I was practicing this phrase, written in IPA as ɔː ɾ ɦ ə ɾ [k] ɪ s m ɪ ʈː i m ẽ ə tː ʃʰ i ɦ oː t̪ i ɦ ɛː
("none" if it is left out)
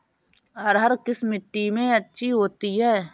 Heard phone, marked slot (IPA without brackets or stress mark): k